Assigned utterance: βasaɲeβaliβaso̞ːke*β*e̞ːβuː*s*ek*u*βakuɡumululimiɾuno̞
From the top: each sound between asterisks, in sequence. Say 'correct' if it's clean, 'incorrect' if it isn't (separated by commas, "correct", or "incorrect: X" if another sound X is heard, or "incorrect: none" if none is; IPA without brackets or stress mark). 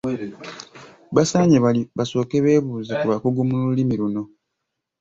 correct, incorrect: z, correct